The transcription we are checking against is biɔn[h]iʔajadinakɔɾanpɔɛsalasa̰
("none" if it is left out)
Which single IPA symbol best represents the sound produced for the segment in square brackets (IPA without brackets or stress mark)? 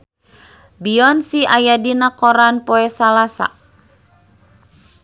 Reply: s